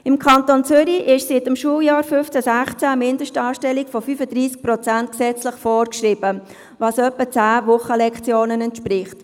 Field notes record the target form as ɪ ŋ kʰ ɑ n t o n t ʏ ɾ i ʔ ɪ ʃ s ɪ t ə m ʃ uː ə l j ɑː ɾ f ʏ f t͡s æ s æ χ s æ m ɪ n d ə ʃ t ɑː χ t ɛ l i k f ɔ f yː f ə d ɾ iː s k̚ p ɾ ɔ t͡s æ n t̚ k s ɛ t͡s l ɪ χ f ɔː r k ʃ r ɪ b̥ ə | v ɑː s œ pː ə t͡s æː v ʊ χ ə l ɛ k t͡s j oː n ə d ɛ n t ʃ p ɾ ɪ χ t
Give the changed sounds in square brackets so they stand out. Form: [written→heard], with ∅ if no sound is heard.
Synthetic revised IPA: ɪ [ŋ→m] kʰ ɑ n t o n [t→t͡s] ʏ ɾ i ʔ ɪ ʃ s ɪ t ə m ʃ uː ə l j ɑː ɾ f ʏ f t͡s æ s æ χ [s→t͡s] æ m ɪ n d ə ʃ t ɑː [χ→ʃ] t ɛ l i k f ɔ f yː f ə d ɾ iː s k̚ p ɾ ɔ t͡s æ n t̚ k s ɛ t͡s l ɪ χ f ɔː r k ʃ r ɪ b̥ ə | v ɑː s œ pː ə t͡s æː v ʊ χ ə l ɛ k t͡s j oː n ə [d→n] ɛ n t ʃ p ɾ ɪ χ t

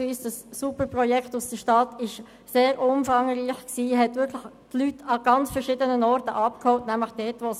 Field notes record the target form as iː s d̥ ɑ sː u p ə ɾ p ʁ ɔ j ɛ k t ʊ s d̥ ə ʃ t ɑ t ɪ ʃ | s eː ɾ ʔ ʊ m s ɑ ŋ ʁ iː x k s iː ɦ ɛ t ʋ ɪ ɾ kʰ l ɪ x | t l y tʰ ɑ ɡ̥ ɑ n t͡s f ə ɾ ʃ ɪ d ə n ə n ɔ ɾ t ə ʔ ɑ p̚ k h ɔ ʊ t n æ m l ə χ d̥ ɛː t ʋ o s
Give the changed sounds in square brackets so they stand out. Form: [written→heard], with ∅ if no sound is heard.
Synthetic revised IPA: iː s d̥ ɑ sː u p ə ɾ p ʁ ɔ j ɛ k t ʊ s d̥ ə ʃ t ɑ t ɪ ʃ | s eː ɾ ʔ ʊ m [s→f] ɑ ŋ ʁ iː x k s iː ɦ ɛ t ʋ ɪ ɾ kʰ l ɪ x | t l y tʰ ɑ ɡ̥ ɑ n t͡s f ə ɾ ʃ ɪ d ə n ə n ɔ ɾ t ə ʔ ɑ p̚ k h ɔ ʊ t n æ m l ə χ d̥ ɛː t ʋ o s

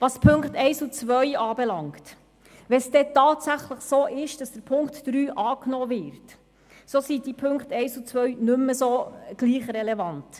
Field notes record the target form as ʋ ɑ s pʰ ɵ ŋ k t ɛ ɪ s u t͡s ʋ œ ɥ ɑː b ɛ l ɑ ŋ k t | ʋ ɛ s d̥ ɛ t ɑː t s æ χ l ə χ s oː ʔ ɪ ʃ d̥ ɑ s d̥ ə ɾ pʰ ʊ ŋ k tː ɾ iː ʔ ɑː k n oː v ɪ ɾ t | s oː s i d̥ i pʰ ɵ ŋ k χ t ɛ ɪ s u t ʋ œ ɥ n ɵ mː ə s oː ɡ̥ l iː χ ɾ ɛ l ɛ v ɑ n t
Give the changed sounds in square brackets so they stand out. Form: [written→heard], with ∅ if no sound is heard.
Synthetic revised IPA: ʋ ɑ s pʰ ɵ ŋ k t ɛ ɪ s u t͡s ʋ œ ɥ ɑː b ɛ l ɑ ŋ k t | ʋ ɛ s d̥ ɛ t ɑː t s æ χ l ə χ s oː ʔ ɪ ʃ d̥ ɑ s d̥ ə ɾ pʰ ʊ ŋ k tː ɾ [iː→yː] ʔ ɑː k n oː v ɪ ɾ t | s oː s i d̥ i pʰ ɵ ŋ k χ t ɛ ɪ s u [t→t͡s] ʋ œ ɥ n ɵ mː ə s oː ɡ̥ l iː χ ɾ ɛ l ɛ v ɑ n t

